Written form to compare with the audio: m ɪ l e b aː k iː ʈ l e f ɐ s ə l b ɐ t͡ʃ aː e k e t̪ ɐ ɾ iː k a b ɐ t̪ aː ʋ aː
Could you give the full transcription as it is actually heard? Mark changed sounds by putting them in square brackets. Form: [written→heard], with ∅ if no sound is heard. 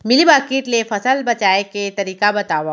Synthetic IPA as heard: m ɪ l [e→i] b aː k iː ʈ l e f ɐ s ə l b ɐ t͡ʃ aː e k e t̪ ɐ ɾ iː k a b ɐ t̪ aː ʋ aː

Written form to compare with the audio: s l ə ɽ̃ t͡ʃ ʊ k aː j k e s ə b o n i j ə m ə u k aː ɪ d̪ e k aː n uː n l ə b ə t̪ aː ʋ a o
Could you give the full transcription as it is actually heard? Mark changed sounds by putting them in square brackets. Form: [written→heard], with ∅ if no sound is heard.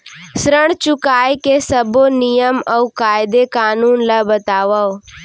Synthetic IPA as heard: s [l→ɾ] ə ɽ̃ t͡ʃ ʊ k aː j k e s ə b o n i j ə m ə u k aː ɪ d̪ e k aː n uː n l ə b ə t̪ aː ʋ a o

